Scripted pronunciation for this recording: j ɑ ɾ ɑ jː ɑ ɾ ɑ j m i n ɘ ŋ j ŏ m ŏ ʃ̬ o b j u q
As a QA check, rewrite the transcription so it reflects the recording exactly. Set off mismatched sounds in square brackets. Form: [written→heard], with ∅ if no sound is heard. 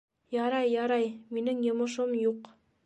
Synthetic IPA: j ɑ ɾ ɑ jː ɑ ɾ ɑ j m i n ɘ ŋ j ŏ m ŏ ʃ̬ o [b→m] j u q